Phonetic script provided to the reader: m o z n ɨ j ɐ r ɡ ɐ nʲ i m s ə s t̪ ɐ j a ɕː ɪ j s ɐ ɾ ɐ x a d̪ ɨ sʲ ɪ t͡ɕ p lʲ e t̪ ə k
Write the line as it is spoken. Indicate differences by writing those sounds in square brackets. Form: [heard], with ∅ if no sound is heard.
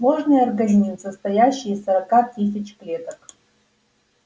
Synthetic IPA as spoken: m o [ʐ] n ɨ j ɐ r ɡ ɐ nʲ i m s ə s t̪ ɐ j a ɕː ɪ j s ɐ ɾ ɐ [k] a [t̪] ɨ sʲ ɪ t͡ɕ p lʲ e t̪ ə k

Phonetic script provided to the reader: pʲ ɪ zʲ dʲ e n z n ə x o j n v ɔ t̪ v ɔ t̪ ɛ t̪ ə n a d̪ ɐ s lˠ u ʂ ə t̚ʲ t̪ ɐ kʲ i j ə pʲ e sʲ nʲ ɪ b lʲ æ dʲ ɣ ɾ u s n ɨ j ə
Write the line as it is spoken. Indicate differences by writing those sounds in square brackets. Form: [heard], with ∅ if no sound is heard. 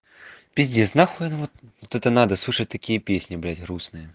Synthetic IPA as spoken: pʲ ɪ zʲ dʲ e [∅] z n [a] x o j n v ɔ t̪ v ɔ t̪ ɛ t̪ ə n a d̪ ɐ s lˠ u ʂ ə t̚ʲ t̪ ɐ kʲ i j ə pʲ e sʲ nʲ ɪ b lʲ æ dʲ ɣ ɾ u s n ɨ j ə

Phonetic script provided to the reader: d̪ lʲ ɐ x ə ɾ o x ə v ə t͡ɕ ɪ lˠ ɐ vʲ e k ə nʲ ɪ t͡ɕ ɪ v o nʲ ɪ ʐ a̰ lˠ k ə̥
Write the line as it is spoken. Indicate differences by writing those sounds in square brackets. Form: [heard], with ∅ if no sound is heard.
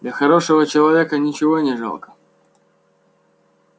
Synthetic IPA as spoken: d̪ lʲ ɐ x [ɐ] ɾ o [ʂ] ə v ə t͡ɕ ɪ lˠ ɐ vʲ e k ə nʲ ɪ t͡ɕ ɪ v o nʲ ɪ ʐ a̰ lˠ k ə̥

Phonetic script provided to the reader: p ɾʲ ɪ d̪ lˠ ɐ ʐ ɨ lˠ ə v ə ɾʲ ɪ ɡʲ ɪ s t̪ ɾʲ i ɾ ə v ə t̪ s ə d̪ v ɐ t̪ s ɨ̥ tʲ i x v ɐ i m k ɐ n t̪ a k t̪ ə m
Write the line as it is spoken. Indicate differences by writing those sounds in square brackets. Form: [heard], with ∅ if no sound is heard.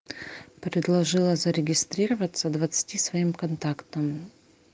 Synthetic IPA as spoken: p ɾʲ ɪ d̪ lˠ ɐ ʐ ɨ lˠ ə [z] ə ɾʲ ɪ ɡʲ ɪ s t̪ ɾʲ i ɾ ə v ə t̪ s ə d̪ v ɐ t̪ s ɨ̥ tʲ i [s] v ɐ i m k ɐ n t̪ a k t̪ ə m

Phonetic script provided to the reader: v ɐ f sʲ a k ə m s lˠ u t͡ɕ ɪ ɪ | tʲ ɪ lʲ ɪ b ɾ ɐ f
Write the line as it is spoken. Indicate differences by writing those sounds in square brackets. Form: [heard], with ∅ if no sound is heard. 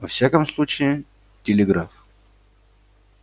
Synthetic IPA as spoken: v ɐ f sʲ a k ə m s lˠ u t͡ɕ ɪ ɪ | tʲ ɪ lʲ ɪ [ɡ] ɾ [a] f

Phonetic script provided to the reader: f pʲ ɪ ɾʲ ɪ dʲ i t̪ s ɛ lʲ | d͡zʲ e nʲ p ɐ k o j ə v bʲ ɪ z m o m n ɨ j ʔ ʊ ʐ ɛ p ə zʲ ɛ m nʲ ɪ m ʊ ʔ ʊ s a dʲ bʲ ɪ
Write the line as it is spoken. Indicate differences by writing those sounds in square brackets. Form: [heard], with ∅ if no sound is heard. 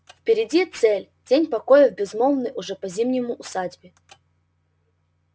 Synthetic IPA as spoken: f pʲ ɪ ɾʲ ɪ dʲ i t̪ s ɛ lʲ | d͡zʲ e nʲ p ɐ k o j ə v bʲ ɪ z m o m n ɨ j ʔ ʊ ʐ ɛ p [ɐ] zʲ [i] m nʲ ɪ m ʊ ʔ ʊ s a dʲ bʲ ɪ

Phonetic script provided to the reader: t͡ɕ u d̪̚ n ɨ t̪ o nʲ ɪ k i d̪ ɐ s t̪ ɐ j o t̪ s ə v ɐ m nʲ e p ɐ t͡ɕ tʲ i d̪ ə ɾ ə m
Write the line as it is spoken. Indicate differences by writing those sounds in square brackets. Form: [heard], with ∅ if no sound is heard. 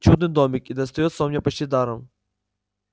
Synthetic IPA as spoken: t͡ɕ u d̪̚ n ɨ [d̪] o [mʲ] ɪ k i d̪ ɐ s t̪ ɐ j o t̪ s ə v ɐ m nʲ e p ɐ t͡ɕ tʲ i d̪ [a] ɾ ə m

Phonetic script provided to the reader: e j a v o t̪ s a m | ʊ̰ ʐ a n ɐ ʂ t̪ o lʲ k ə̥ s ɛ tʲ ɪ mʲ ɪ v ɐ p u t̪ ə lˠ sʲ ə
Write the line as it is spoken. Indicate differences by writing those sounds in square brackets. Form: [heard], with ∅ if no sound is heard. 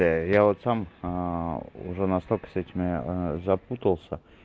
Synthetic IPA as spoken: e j a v o t̪ s a m | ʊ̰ ʐ [ɛ] n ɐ [s] t̪ o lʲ k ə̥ s ɛ tʲ ɪ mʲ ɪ [z] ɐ p u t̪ ə lˠ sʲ ə

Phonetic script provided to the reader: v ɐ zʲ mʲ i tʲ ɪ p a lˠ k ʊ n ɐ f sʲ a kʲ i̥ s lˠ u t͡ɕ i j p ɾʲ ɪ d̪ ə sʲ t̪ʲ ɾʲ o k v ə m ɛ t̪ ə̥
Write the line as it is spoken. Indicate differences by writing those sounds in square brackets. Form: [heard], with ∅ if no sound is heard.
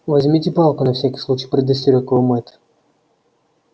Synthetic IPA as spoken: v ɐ zʲ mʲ i tʲ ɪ p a lˠ k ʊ n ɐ f sʲ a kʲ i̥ s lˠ u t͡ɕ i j p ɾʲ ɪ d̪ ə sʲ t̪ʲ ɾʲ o k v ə m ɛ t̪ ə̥

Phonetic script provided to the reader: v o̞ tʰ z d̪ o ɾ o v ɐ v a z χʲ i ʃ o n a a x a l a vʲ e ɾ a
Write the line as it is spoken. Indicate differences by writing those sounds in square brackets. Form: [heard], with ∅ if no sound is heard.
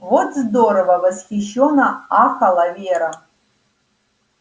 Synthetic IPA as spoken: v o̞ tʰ z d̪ o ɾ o v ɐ v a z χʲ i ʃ o n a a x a l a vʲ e ɾ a

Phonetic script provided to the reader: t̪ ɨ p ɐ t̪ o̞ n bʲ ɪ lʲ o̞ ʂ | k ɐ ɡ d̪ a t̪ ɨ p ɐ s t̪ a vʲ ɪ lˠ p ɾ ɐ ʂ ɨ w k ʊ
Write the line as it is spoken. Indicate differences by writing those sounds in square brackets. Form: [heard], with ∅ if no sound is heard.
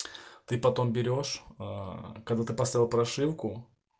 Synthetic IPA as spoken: t̪ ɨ p ɐ t̪ o̞ [m] bʲ ɪ [ɾʲ] o̞ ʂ | k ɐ ɡ d̪ a t̪ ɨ p ɐ s t̪ a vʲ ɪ lˠ p ɾ ɐ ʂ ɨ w k ʊ

